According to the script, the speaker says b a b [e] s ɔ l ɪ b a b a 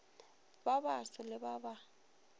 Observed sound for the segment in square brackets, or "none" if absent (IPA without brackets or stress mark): a